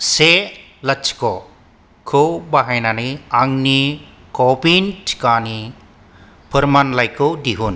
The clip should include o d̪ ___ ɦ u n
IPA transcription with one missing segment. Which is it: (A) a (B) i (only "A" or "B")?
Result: B